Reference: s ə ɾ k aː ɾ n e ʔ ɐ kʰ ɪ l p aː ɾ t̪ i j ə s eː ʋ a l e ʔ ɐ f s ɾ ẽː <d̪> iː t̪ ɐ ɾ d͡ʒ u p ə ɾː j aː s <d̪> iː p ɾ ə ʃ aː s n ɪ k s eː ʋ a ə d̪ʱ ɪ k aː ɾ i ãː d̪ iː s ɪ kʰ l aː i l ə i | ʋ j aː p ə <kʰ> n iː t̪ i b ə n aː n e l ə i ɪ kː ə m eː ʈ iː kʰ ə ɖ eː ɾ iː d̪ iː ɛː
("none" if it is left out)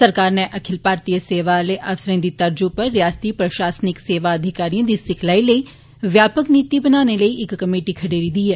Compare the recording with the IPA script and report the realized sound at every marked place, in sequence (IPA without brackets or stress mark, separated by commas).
d̪, t̪, k